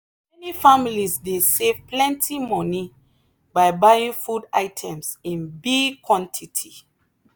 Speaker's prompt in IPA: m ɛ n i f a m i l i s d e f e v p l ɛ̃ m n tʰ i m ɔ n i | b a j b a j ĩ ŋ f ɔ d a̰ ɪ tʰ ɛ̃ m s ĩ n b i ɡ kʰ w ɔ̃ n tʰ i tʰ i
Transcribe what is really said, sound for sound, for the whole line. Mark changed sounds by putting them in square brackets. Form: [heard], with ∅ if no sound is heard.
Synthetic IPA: m ɛ n i f a m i l i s d e [s] e v p l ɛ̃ [∅] n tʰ i m ɔ n i | b a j b a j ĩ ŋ f [u] d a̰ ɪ tʰ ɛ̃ m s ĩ n b i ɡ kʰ w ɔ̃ n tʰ i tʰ i